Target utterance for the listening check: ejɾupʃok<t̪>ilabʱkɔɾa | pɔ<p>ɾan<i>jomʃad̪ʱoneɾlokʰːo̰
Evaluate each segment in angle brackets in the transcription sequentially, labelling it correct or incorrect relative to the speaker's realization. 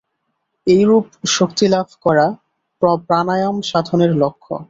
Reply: correct, correct, incorrect: a

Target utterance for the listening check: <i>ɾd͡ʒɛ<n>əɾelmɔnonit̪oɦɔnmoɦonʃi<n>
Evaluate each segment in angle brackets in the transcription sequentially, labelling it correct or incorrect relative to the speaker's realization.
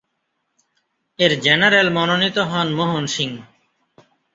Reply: incorrect: e, correct, incorrect: ŋ

